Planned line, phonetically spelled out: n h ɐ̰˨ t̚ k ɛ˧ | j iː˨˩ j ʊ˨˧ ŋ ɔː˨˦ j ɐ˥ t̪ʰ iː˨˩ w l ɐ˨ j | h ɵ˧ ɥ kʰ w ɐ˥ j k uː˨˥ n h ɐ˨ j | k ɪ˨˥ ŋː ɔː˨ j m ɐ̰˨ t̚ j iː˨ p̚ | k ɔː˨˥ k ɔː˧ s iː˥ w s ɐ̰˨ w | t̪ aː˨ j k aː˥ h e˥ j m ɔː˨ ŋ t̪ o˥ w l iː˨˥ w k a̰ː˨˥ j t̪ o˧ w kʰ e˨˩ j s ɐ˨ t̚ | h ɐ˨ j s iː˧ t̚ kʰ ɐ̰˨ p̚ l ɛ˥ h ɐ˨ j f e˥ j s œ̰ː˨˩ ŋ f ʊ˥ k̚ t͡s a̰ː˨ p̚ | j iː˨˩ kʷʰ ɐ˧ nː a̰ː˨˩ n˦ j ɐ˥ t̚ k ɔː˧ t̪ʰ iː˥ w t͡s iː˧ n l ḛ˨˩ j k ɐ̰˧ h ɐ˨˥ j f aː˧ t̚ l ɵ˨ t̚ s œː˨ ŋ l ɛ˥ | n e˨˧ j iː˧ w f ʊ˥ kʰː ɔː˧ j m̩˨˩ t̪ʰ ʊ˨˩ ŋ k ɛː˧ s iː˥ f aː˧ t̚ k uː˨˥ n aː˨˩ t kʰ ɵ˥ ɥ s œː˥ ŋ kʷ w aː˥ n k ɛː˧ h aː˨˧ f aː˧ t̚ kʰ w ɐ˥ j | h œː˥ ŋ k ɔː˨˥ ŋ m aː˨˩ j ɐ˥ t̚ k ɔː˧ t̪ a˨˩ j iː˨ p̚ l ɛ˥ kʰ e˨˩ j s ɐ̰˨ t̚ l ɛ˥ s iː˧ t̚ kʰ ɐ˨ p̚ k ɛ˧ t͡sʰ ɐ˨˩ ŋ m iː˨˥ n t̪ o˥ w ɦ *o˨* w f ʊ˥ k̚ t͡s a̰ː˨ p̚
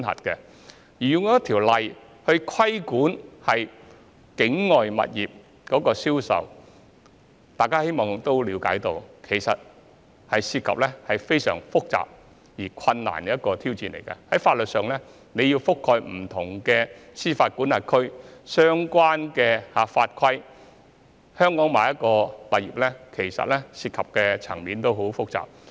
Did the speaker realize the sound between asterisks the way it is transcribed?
no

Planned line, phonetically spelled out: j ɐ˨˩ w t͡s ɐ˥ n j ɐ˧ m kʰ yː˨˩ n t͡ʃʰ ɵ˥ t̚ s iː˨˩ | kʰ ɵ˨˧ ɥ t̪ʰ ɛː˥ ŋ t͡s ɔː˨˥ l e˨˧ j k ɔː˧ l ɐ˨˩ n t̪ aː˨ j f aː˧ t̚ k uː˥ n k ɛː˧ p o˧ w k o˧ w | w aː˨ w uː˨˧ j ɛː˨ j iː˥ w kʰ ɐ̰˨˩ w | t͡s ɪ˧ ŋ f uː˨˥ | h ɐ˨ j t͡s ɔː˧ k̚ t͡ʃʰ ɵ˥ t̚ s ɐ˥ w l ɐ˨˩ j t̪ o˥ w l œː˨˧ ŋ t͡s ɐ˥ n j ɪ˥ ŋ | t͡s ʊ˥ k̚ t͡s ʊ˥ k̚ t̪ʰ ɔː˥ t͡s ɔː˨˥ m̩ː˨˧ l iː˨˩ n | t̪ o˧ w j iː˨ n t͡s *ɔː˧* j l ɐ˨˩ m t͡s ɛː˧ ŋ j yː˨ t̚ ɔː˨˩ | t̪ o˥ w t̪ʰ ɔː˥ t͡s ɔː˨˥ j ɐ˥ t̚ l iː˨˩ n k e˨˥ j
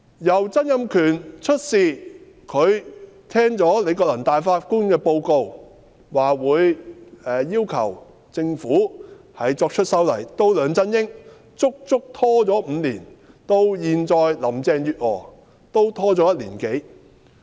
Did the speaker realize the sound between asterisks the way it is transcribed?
yes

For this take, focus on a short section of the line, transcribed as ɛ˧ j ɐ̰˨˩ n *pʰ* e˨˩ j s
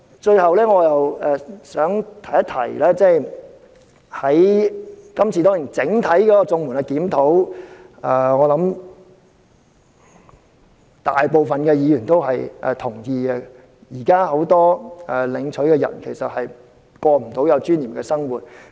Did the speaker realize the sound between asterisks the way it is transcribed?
no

